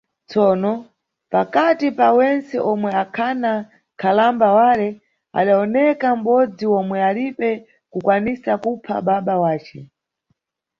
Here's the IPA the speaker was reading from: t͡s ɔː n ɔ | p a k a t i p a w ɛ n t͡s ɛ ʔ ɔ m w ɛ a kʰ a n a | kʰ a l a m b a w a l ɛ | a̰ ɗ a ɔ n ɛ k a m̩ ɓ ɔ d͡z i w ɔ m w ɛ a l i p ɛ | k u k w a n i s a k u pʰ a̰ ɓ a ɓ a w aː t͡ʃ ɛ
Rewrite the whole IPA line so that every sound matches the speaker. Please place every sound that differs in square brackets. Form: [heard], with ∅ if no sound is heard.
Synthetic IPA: t͡s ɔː n ɔ | p a k a t i p a w ɛ n t͡s ɛ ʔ ɔ m w ɛ a kʰ a n a | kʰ a l a m b a w a l ɛ | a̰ ɗ a ɔ n ɛ k a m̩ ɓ ɔ d͡z i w ɔ m w ɛ a l i p ɛ | k u k w a n i s a k u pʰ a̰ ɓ a ɓ a w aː t͡ʃ ɛ